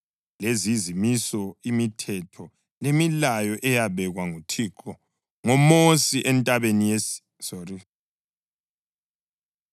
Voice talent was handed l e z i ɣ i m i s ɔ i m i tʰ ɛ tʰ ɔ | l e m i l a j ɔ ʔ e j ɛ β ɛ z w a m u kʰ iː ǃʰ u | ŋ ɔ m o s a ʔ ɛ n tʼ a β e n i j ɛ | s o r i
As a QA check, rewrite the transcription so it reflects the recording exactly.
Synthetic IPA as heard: l e z i z i m i s ɔ i m i tʰ ɛ tʰ ɔ | l e m i l a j ɔ ʔ ɛ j a β ɛ ɣ w a ŋ u tʰ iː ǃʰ ɔ | ŋ ɔ m o s i ʔ ɛ n tʼ a β e n i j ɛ | s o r i